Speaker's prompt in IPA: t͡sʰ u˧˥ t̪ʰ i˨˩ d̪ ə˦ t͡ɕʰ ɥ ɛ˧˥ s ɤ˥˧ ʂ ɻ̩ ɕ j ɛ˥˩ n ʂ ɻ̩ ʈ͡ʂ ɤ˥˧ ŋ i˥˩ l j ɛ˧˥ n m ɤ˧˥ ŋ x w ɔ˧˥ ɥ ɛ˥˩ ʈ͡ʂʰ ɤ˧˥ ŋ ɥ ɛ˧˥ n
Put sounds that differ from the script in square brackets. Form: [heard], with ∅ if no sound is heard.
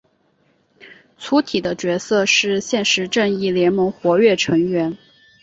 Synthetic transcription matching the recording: t͡sʰ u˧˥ t̪ʰ i˨˩ d̪ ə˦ [t͡ɕ] ɥ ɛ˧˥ s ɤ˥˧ ʂ ɻ̩ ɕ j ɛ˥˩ n ʂ ɻ̩ ʈ͡ʂ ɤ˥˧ ŋ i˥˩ l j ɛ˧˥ n m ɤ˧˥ ŋ x w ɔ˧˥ ɥ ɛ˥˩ ʈ͡ʂʰ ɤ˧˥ ŋ ɥ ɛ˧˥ n